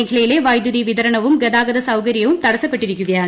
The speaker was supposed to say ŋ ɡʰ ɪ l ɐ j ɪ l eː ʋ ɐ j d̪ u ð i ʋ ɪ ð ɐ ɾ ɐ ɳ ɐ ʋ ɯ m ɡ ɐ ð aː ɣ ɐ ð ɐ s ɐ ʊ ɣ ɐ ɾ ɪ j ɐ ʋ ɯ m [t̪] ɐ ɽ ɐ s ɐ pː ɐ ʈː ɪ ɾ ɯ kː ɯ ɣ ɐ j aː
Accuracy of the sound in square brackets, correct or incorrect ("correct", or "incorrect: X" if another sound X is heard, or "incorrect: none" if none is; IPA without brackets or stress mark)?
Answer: correct